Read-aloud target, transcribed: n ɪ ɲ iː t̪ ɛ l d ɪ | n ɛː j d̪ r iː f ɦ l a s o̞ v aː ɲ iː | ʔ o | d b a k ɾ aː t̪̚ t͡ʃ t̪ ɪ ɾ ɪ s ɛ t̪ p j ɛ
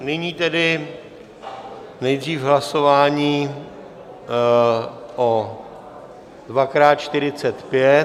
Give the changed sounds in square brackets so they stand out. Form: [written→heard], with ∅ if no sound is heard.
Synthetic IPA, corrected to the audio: n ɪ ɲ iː t̪ ɛ [l→∅] d ɪ | n [ɛː→ɛ] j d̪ r iː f ɦ l a s o̞ v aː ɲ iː | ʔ o | d [b→v] a k ɾ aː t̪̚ t͡ʃ t̪ ɪ ɾ ɪ [s→t͡s] ɛ t̪ p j ɛ